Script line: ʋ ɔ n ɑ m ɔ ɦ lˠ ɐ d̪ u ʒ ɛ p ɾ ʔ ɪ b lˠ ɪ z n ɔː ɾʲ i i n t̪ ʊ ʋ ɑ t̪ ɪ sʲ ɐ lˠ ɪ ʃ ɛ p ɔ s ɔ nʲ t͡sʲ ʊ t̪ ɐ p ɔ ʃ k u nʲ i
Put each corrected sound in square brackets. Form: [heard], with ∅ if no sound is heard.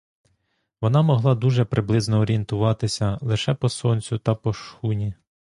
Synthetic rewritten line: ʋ ɔ n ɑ m ɔ ɦ lˠ [ɑ] d̪ u ʒ ɛ p ɾ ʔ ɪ b lˠ ɪ z n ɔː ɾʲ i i n t̪ ʊ ʋ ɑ t̪ ɪ sʲ ɐ lˠ ɪ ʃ ɛ p ɔ s ɔ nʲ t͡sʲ ʊ t̪ ɐ p ɔ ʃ [x] u nʲ i